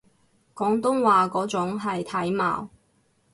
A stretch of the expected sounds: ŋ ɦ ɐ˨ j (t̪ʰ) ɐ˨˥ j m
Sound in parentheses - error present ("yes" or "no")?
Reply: no